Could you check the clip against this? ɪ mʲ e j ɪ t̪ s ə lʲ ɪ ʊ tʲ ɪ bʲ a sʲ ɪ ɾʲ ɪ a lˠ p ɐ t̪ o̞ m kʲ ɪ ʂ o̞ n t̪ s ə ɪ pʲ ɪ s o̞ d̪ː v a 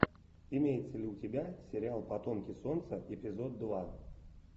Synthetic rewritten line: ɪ mʲ e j ɪ t̪ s ə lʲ ɪ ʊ tʲ ɪ bʲ a sʲ ɪ ɾʲ ɪ a lˠ p ɐ t̪ o̞ m kʲ ɪ s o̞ n t̪ s ə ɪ pʲ ɪ z o̞ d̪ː v a